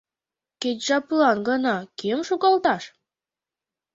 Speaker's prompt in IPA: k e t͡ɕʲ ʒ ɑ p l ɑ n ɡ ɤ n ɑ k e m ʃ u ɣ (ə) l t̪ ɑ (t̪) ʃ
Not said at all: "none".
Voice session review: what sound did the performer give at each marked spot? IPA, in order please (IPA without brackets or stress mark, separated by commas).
ɑ, none